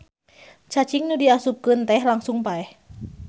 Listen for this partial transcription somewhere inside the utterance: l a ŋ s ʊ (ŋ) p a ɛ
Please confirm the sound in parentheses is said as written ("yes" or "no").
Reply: yes